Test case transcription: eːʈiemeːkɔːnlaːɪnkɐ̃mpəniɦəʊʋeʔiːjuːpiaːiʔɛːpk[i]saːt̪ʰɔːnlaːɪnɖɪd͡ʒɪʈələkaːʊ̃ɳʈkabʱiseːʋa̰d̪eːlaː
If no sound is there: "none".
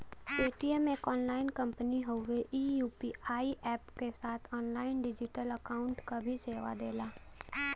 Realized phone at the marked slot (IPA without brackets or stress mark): e